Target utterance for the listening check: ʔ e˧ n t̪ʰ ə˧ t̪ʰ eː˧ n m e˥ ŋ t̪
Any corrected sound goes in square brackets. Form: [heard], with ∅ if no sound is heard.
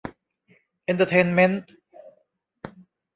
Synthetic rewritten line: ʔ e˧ n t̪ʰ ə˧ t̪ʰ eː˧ n m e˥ [n] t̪